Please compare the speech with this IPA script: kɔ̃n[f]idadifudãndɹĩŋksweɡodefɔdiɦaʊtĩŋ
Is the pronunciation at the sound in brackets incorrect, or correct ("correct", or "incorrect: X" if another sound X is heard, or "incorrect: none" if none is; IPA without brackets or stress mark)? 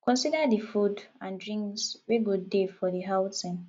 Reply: incorrect: s